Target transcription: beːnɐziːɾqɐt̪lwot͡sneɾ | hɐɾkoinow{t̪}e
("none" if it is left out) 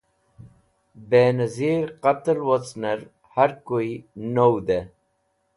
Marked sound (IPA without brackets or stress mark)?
d̪